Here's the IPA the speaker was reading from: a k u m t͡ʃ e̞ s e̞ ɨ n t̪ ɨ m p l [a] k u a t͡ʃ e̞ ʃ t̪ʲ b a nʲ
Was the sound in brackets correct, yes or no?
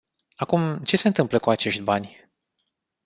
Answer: no